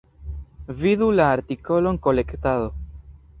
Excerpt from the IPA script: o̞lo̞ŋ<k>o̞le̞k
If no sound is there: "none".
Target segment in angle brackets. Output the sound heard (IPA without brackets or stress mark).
k